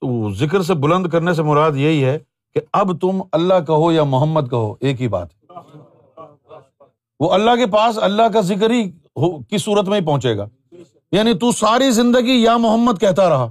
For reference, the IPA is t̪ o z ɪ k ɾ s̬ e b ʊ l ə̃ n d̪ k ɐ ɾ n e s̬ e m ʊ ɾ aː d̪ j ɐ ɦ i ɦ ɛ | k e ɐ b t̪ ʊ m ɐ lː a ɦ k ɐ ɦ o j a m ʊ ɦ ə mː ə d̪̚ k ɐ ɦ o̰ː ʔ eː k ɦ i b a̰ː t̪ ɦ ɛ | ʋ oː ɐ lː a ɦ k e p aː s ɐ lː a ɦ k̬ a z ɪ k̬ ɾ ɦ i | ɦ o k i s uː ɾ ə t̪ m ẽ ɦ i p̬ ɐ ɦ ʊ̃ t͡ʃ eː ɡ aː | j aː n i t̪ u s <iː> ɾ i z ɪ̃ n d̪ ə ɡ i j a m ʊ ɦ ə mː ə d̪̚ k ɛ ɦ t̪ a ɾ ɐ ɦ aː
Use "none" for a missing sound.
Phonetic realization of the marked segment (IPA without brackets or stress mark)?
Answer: aː